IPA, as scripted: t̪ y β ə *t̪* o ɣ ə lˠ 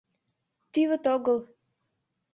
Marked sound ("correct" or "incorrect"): correct